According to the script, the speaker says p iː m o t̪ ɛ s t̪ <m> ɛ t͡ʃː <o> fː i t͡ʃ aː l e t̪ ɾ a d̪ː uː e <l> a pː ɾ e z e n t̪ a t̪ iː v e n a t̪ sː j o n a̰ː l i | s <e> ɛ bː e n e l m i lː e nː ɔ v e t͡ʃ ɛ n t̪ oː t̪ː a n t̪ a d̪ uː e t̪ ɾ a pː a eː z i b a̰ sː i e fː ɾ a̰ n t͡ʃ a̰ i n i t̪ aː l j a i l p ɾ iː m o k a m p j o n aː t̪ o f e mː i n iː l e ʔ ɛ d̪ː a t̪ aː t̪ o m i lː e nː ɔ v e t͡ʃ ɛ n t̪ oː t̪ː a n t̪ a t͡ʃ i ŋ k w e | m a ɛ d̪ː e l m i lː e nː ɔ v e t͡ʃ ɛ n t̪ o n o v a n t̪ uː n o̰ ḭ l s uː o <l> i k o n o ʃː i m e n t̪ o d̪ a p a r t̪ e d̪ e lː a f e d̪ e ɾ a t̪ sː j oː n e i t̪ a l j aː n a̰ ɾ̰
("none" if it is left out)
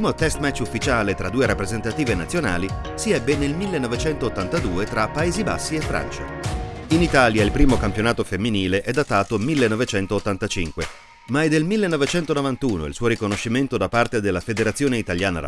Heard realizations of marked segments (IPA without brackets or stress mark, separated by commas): m, u, ɾ, i, ɾ